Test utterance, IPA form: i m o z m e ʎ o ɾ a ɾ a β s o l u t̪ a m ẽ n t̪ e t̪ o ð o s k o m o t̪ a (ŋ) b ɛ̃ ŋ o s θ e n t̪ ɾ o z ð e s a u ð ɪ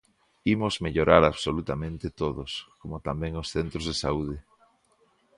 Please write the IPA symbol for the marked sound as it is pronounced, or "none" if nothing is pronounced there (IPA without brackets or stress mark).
m